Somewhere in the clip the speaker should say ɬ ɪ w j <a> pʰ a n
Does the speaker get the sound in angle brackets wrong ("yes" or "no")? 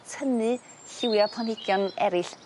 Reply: no